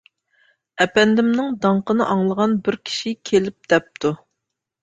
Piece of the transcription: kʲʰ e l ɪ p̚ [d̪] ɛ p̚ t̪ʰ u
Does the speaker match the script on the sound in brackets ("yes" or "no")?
yes